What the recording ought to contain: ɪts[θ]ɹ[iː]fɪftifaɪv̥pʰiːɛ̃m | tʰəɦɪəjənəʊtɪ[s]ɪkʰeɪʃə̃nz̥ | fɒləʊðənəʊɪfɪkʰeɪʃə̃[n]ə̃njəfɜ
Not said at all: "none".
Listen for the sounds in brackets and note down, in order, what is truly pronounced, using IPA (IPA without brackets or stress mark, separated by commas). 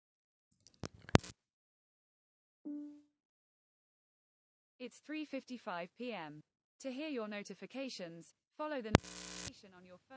θ, iː, f, n